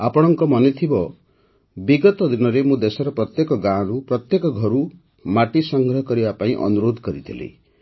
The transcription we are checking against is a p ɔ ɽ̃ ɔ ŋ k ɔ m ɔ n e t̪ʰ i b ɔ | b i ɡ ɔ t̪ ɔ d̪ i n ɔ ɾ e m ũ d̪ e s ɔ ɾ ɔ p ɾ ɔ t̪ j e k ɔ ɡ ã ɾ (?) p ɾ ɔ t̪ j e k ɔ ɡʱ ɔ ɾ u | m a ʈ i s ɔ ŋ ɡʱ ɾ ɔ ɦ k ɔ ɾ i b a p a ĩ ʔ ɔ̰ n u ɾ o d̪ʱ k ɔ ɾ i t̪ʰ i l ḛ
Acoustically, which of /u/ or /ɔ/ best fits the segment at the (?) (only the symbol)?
u